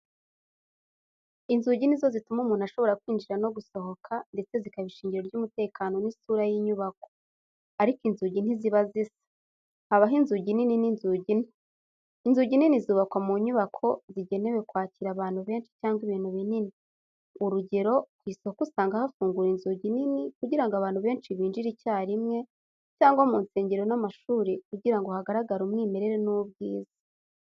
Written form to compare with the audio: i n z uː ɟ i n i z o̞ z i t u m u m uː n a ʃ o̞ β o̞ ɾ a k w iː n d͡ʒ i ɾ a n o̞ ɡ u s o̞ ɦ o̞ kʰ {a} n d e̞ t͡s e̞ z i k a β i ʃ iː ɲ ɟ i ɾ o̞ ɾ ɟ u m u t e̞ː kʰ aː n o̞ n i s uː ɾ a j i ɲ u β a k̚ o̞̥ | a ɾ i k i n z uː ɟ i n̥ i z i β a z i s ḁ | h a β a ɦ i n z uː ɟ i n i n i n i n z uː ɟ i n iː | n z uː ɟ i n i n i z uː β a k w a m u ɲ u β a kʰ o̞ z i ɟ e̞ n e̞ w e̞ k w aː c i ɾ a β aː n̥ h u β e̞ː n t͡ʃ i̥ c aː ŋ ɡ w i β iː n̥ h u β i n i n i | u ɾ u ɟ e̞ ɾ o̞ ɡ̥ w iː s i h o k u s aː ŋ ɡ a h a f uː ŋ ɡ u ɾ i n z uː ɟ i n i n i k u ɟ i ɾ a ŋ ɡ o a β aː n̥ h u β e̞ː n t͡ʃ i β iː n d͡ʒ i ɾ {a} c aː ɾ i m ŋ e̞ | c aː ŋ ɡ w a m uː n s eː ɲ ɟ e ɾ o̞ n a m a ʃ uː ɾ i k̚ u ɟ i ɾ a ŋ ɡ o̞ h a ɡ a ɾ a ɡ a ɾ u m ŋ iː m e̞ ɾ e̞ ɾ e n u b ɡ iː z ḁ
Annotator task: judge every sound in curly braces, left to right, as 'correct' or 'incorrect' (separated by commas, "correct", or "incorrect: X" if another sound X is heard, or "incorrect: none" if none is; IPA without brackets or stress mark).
correct, incorrect: i